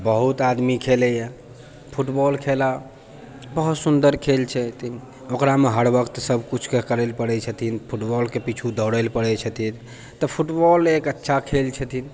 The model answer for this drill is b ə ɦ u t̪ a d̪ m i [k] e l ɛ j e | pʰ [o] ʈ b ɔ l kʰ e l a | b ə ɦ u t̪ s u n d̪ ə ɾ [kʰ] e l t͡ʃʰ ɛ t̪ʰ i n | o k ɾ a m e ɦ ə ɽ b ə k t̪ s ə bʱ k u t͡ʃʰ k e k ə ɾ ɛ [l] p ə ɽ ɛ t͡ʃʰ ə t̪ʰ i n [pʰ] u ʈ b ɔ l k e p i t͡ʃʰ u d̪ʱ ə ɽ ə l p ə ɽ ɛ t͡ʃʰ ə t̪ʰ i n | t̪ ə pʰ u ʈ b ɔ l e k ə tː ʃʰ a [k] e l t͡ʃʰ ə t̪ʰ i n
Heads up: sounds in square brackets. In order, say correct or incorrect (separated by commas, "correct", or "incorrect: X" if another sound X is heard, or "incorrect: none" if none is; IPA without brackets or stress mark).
incorrect: kʰ, incorrect: u, correct, correct, correct, incorrect: kʰ